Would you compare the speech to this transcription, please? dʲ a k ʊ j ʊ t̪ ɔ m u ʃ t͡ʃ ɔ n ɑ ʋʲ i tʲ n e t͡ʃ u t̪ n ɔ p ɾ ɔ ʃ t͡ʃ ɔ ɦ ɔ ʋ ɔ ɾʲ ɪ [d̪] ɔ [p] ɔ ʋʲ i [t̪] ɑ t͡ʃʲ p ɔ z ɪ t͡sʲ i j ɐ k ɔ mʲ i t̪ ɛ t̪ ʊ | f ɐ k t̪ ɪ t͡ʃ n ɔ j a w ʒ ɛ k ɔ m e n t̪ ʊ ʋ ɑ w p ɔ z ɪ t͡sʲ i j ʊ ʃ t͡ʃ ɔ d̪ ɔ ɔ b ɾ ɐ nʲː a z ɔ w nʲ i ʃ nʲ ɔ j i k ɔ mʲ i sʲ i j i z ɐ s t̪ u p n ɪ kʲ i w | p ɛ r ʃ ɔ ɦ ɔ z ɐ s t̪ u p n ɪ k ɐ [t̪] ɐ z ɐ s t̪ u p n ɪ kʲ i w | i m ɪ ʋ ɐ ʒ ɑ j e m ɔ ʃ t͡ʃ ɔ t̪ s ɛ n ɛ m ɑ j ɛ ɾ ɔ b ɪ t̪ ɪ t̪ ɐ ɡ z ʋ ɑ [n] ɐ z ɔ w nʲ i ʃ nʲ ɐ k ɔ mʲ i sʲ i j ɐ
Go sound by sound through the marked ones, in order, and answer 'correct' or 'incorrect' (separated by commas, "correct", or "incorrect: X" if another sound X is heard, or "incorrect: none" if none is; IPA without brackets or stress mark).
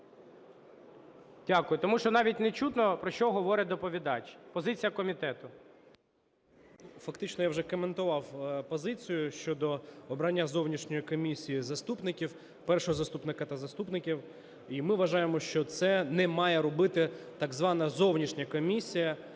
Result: correct, correct, incorrect: d̪, correct, correct